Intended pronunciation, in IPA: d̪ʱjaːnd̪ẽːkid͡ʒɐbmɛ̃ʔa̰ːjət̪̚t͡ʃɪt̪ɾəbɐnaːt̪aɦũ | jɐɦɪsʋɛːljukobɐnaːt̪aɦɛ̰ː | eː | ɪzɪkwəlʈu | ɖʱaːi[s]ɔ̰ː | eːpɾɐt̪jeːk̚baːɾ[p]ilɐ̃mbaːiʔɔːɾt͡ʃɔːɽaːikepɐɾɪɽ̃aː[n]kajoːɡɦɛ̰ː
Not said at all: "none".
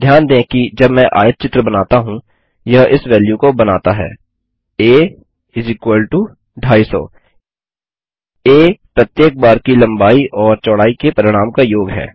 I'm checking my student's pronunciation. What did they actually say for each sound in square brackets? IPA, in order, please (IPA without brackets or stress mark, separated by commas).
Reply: s, k, m